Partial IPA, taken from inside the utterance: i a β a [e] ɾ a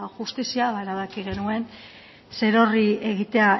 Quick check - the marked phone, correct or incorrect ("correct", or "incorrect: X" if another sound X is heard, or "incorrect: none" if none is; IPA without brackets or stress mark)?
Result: correct